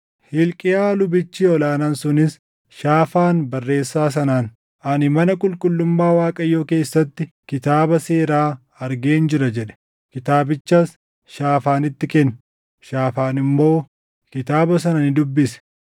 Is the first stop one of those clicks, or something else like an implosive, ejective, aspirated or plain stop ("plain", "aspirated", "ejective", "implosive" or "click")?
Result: ejective